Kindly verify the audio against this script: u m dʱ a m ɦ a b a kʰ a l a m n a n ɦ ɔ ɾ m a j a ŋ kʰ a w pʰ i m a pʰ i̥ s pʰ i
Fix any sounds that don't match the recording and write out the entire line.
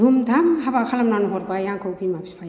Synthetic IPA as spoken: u m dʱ a m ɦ a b a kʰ a l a m n a n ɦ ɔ ɾ b a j a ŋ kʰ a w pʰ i m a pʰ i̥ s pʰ a